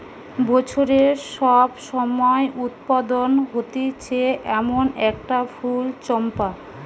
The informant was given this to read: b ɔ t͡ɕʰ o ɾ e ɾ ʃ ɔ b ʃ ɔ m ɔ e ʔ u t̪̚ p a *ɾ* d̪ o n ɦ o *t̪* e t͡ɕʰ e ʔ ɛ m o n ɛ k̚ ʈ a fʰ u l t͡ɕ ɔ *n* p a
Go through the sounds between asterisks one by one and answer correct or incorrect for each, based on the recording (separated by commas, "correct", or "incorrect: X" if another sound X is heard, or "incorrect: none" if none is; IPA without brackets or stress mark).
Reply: incorrect: none, correct, incorrect: m